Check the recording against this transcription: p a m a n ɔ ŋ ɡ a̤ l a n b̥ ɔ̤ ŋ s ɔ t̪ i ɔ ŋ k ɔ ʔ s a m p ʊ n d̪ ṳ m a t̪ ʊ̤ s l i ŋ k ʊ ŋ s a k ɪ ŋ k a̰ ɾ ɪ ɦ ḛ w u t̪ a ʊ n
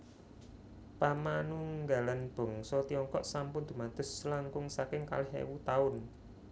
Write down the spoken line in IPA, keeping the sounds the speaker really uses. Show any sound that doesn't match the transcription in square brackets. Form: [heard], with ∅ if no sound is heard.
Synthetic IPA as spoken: p a m a n [u] ŋ ɡ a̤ l a n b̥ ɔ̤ ŋ s ɔ t̪ i ɔ ŋ k ɔ ʔ s a m p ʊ n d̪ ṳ m a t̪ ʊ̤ s l [a] ŋ k ʊ ŋ s a k ɪ ŋ k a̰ [l] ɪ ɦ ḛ w u t̪ a ʊ n

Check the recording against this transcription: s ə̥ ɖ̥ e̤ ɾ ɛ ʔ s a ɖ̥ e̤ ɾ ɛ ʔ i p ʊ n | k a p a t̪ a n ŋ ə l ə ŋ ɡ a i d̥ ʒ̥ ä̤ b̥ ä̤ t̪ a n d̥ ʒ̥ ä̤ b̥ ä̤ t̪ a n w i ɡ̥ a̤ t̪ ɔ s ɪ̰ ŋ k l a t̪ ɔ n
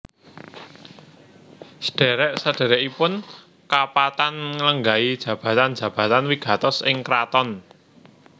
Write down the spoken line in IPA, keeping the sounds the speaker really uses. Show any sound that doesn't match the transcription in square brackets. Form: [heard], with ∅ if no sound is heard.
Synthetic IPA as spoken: s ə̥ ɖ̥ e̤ ɾ ɛ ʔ s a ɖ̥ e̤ ɾ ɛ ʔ i p ʊ n | k a p a t̪ a n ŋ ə l ə ŋ ɡ a i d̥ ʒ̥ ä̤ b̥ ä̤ t̪ a n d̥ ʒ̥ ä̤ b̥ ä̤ t̪ a n w i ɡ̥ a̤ t̪ ɔ s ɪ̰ ŋ k [ɾ] a t̪ ɔ n

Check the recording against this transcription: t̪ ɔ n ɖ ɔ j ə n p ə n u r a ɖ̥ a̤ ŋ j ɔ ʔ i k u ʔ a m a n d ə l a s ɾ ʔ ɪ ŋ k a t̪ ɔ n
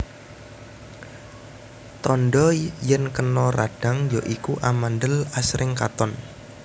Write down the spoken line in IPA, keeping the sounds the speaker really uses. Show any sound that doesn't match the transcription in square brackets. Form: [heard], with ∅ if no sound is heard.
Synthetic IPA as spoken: t̪ ɔ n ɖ ɔ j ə n [k] ə n [ɔ] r a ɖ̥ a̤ ŋ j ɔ ʔ i k u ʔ a m a n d ə l a s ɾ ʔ ɪ ŋ k a t̪ ɔ n

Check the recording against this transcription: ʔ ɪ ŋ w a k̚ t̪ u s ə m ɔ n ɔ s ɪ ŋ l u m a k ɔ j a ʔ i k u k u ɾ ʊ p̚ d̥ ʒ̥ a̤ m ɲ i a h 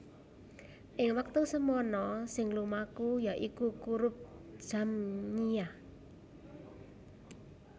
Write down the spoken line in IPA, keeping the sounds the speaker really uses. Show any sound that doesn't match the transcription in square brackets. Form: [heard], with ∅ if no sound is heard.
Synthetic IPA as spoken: ʔ ɪ ŋ w a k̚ t̪ u s ə m ɔ n ɔ s ɪ ŋ l u m a k [u] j a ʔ i k u k u ɾ ʊ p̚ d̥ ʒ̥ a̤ m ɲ i a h

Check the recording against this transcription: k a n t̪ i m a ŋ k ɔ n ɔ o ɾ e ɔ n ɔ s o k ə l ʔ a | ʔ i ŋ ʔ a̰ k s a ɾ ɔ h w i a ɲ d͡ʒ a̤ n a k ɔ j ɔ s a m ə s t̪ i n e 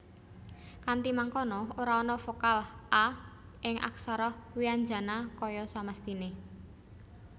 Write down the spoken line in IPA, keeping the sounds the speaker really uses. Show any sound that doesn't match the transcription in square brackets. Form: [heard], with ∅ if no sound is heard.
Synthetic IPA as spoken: k a n t̪ i m a ŋ k ɔ n ɔ o ɾ [a] ɔ n ɔ [f] o k [a] l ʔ a | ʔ [ɪ] ŋ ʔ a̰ k s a ɾ ɔ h w i a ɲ d͡ʒ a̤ n a k ɔ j ɔ s a m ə s t̪ i n e

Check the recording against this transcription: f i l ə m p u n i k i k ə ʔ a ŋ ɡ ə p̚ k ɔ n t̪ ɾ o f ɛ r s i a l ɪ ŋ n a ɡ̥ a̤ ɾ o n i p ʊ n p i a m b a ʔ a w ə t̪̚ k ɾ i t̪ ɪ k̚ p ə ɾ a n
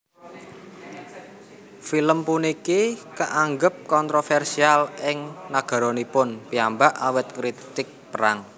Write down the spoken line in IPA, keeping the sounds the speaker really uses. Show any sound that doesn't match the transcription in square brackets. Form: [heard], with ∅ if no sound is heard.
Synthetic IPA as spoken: f i l ə m p u n i k i k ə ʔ a ŋ ɡ ə p̚ k ɔ n t̪ ɾ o f ɛ r s i a l ɪ ŋ n a ɡ̥ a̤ ɾ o n i p ʊ n p i a m b a ʔ a w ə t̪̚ k ɾ i t̪ ɪ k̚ p ə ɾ a [ŋ]

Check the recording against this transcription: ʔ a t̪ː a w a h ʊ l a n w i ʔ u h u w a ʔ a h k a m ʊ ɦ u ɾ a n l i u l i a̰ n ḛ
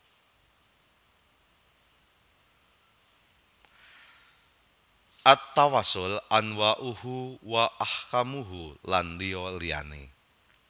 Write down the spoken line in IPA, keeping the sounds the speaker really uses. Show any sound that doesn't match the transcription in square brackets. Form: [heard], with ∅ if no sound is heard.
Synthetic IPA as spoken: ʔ a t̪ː a w a [s] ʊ l a n w [a] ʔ u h u w a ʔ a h k a m [u] ɦ u [l] a n l i [ɔ] l i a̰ n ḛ

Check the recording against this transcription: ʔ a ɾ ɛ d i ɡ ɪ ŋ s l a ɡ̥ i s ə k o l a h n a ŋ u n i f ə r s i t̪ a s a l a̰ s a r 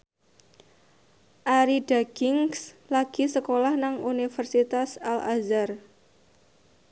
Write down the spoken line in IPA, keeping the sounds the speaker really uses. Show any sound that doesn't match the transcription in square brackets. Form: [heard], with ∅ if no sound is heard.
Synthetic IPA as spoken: ʔ a ɾ [i] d [a] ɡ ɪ ŋ s l a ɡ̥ i s ə k o l a h n a ŋ u n i f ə r s i t̪ a s a l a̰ [z] a r

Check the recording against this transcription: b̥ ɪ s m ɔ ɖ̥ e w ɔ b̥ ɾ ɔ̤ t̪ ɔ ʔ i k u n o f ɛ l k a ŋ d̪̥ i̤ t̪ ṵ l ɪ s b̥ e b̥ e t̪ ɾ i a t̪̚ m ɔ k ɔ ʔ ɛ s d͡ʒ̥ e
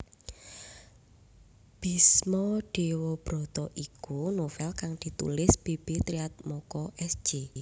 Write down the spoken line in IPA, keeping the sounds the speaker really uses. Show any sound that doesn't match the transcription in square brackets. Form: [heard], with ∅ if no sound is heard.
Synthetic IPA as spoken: b̥ [i] s m ɔ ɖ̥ e w ɔ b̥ ɾ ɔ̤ t̪ ɔ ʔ i k u n o f ɛ l k a ŋ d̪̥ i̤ t̪ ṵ l ɪ s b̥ e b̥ e t̪ ɾ i a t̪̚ m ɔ k ɔ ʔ ɛ s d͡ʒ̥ e

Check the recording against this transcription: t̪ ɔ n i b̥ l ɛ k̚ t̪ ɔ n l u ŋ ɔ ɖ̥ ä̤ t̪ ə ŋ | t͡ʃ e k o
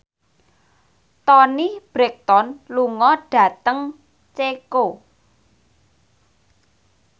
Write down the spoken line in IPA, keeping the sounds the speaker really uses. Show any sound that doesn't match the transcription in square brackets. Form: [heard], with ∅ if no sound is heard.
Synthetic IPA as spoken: t̪ ɔ n i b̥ [ɾ] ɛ k̚ t̪ ɔ n l u ŋ ɔ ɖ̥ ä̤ t̪ ə ŋ | t͡ʃ e k o

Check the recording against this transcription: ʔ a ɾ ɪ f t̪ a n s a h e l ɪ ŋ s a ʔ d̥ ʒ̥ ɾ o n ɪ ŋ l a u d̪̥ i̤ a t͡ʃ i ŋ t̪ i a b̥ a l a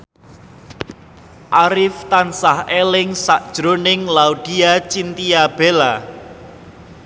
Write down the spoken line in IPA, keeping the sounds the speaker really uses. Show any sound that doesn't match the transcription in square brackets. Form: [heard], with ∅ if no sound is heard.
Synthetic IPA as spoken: ʔ a ɾ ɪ f t̪ a n s a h e l ɪ ŋ s a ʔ d̥ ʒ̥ ɾ o n ɪ ŋ l a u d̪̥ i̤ a t͡ʃ i [n] t̪ i a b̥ [e] l a

